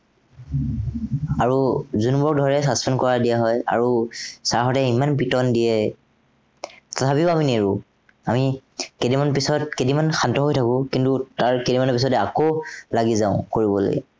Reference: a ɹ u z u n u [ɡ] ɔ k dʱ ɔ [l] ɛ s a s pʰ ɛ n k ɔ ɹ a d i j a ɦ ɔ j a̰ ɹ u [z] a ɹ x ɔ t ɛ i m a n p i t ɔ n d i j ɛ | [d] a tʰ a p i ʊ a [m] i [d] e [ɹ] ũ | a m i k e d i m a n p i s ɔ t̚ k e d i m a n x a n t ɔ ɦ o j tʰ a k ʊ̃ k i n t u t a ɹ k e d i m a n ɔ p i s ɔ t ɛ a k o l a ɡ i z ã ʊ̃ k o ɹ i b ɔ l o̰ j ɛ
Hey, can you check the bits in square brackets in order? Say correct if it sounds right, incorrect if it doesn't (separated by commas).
incorrect, incorrect, incorrect, incorrect, correct, incorrect, correct